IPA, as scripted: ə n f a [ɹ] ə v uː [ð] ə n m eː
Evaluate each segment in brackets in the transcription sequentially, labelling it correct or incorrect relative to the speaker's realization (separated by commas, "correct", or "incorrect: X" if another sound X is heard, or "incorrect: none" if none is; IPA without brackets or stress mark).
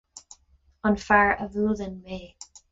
correct, correct